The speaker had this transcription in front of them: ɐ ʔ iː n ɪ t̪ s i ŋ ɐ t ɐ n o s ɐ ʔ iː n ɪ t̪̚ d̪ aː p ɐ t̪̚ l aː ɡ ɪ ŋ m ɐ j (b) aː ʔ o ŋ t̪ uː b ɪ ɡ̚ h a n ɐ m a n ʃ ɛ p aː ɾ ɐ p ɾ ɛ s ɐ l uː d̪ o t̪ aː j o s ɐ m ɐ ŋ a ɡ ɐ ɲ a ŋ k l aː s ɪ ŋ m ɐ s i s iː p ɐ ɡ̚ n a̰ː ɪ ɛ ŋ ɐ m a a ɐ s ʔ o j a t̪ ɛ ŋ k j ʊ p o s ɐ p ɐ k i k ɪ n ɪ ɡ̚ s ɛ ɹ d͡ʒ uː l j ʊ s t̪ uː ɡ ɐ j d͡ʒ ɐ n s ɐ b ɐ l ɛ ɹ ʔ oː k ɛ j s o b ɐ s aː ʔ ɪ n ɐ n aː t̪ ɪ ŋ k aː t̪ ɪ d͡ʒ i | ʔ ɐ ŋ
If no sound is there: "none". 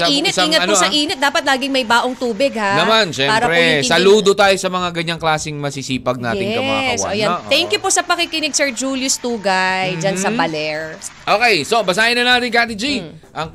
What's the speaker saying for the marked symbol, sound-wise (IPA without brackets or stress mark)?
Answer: b